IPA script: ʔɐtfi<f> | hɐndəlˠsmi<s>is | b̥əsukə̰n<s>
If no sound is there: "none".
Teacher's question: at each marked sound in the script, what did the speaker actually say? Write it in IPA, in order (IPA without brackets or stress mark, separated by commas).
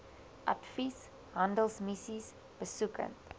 s, s, t